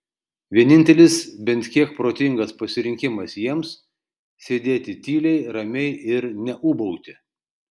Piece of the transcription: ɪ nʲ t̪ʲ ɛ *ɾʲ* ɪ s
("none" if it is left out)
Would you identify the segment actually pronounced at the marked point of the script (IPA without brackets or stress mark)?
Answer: lʲ